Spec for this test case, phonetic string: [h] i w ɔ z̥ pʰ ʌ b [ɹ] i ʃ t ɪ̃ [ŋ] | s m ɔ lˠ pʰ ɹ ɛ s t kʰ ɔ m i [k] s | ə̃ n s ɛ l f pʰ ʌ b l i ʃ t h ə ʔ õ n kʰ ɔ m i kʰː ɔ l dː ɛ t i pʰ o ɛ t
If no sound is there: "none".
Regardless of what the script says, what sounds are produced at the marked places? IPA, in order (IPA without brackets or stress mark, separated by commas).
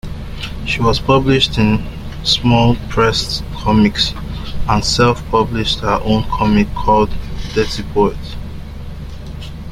ʃ, l, n, k